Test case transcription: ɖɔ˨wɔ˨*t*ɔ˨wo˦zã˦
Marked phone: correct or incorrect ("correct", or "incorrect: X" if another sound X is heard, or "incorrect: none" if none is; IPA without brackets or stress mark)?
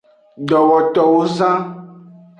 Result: correct